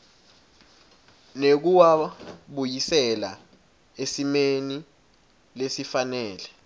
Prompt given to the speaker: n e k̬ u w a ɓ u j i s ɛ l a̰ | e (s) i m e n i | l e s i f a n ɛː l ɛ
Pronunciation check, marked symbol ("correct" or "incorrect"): correct